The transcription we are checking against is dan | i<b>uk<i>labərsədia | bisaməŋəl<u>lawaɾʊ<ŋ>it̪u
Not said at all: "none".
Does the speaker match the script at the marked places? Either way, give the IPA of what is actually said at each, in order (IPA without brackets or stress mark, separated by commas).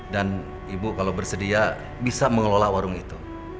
b, a, o, ŋ